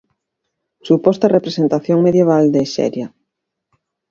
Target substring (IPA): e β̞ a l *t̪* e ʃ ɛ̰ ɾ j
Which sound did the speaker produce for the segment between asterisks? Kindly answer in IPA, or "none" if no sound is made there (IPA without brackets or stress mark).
d̪